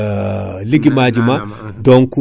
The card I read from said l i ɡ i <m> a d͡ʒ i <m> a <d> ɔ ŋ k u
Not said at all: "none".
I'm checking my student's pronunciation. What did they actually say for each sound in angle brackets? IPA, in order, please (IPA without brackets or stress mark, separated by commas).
m, m, d